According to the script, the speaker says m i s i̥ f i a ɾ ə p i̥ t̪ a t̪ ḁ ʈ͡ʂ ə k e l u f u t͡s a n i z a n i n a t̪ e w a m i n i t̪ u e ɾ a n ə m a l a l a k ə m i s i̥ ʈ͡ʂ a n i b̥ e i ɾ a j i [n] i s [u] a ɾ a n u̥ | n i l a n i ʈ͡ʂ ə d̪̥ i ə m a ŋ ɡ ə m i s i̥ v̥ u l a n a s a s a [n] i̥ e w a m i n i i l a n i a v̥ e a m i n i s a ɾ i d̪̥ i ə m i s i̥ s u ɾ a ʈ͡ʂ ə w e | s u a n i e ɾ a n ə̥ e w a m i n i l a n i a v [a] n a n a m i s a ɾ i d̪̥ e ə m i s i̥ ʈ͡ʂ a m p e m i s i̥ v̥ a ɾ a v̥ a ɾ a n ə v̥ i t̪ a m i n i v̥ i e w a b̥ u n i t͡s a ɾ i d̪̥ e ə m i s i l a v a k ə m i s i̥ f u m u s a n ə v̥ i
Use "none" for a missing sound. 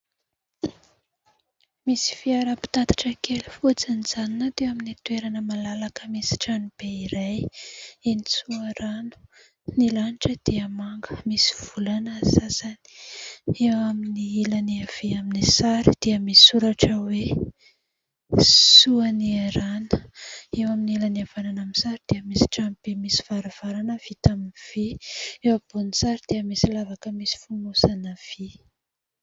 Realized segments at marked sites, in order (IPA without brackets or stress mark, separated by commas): n, u, n, a